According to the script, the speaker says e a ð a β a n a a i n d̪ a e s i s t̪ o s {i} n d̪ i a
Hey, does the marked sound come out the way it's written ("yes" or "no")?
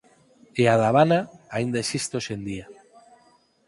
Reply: no